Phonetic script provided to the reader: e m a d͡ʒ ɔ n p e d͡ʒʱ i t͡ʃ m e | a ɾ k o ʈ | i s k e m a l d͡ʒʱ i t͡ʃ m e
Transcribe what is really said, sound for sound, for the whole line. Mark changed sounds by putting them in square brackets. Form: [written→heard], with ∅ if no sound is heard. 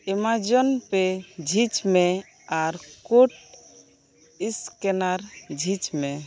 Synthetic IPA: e m a d͡ʒ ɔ n p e d͡ʒʱ i t͡ʃ m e | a ɾ k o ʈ | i s k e [m→n] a [l→ɾ] d͡ʒʱ i t͡ʃ m e